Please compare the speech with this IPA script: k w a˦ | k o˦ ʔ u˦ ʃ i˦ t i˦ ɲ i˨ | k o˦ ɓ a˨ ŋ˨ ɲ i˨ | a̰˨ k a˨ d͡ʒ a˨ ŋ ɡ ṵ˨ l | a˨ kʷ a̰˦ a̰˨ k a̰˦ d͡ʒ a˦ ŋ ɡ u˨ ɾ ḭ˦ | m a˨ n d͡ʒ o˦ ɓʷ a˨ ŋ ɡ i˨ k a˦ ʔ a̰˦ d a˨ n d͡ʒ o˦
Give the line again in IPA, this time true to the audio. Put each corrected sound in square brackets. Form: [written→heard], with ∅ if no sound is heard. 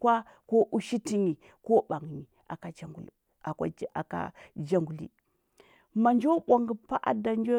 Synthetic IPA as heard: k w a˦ | k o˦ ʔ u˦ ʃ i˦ t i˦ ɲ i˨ | k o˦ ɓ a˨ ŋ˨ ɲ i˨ | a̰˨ k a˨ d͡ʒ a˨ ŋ ɡ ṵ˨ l | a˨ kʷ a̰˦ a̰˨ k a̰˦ d͡ʒ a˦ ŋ ɡ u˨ [ɾ→l] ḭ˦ | m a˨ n d͡ʒ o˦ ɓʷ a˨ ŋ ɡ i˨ [k→p] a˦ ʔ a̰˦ d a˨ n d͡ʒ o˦